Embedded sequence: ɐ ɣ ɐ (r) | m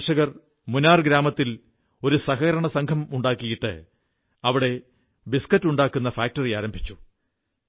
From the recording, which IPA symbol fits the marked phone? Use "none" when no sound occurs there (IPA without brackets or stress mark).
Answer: r